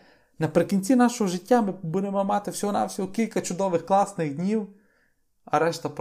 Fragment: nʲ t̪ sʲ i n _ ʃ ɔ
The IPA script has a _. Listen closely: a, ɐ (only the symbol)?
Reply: a